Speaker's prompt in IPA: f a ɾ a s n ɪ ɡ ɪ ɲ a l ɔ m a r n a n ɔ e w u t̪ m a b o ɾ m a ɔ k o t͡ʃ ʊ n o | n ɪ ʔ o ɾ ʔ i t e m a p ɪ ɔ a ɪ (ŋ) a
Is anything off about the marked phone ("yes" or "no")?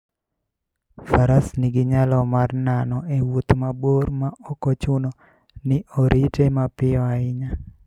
yes